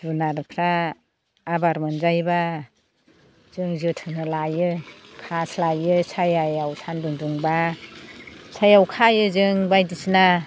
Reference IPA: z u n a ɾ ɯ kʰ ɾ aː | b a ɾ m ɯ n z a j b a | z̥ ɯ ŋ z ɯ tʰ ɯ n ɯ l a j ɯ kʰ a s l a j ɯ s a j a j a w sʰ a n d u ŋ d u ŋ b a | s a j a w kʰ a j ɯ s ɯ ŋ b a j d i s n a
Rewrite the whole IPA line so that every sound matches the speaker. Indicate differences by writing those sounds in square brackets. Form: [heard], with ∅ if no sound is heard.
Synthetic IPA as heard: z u n a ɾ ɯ kʰ ɾ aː | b a ɾ m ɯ n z a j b a | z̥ ɯ ŋ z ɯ tʰ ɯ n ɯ l a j ɯ kʰ a s l a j ɯ s a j a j a w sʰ a n d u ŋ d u ŋ b a | s a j a w kʰ a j ɯ [z] ɯ ŋ b a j d i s n a